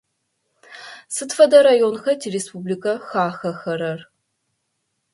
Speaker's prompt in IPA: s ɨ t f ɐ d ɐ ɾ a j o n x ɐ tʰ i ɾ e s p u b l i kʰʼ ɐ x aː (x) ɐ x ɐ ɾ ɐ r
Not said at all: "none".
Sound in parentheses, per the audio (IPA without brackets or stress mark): x